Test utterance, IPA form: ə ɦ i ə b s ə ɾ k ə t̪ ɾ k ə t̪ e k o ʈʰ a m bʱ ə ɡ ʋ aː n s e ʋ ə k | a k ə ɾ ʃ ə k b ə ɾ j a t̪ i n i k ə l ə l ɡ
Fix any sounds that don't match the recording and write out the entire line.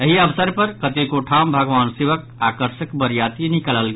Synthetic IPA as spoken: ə ɦ i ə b s ə ɾ p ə ɾ k ə t̪ e k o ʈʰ a m bʱ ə ɡ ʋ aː n s e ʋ ə k | a k ə ɾ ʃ ə k b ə ɾ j a t̪ i n i k ə l ə l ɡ